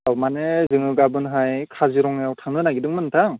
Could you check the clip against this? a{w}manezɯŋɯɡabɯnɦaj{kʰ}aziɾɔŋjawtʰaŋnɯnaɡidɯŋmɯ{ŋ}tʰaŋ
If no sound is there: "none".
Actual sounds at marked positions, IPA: w, kʰ, n

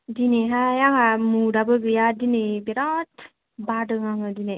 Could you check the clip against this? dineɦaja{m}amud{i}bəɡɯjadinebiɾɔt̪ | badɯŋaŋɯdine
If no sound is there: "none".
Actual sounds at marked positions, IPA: ŋ, a

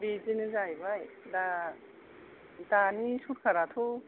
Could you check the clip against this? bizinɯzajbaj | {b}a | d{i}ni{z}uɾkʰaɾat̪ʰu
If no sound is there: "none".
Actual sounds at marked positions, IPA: d, a, s

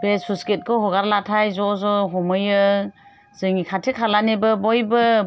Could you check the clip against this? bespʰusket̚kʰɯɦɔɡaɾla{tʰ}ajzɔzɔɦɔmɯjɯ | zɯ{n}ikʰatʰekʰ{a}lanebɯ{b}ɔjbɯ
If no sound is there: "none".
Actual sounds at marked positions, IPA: tʰ, ŋ, a, b

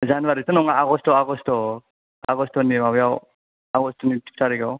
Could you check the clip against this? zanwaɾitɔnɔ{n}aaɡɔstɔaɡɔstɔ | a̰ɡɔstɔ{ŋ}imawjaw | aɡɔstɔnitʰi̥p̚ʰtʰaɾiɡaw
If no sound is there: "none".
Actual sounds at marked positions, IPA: ŋ, n

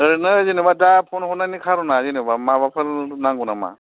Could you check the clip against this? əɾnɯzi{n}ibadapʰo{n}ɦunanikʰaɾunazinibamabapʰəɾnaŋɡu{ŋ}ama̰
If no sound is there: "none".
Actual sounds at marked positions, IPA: n, n, n

